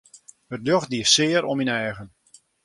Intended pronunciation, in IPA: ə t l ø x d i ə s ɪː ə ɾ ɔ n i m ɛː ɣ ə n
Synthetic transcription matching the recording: ə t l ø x d i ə s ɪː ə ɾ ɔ m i n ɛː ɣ ə n